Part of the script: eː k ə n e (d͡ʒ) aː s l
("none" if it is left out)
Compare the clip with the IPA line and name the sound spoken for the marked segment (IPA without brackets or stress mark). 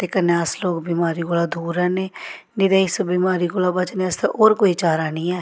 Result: none